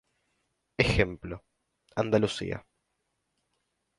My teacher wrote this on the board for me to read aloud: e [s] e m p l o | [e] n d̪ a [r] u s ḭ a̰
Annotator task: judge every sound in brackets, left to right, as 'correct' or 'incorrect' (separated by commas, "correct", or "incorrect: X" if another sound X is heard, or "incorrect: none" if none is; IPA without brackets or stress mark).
incorrect: x, incorrect: a, incorrect: l